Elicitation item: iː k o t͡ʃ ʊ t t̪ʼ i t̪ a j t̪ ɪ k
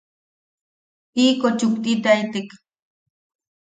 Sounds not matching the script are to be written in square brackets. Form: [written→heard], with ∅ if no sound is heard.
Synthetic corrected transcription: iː k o t͡ʃ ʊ [t→k] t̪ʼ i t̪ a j t̪ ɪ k